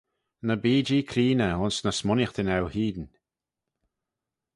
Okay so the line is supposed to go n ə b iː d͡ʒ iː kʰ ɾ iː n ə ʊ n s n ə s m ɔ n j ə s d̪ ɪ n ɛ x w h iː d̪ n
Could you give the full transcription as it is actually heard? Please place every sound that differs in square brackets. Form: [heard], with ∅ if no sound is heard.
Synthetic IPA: n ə b iː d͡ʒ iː kʰ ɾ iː n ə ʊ n s n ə s m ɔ n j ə [x] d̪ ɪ n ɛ [∅] w h iː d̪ n